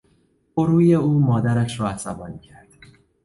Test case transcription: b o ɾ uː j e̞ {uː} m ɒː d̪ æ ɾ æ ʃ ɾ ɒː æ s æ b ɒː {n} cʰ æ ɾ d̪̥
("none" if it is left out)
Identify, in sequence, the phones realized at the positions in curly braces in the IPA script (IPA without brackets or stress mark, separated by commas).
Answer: uː, n